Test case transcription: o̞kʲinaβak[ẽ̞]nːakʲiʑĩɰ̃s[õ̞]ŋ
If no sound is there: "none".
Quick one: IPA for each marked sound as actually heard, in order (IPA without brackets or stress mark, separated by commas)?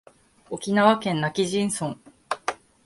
ẽ̞, õ̞